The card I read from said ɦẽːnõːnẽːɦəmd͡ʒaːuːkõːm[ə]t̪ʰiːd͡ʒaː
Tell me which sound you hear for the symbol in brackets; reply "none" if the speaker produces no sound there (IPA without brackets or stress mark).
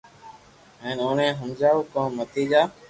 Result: ə